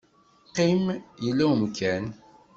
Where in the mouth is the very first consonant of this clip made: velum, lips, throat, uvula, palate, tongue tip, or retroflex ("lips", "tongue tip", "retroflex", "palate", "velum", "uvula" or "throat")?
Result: uvula